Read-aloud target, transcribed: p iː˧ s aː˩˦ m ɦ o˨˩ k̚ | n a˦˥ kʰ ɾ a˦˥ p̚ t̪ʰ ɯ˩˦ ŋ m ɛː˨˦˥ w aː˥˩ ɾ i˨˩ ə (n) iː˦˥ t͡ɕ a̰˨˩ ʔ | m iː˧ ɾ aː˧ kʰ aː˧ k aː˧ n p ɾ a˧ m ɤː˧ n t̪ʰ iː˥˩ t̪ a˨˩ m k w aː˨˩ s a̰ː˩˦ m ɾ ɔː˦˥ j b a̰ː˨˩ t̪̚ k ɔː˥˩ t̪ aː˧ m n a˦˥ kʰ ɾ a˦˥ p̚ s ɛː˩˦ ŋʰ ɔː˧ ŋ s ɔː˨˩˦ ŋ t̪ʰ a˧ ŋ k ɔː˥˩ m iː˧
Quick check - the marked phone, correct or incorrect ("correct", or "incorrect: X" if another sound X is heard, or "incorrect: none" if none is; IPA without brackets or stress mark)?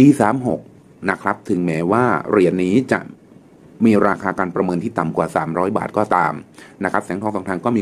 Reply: incorrect: nː